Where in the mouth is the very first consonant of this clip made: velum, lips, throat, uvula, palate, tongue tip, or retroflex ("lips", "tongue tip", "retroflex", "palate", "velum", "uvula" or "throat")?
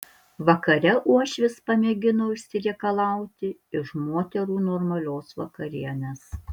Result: lips